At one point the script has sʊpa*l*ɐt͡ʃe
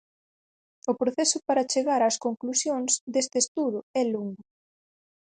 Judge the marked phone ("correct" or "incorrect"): incorrect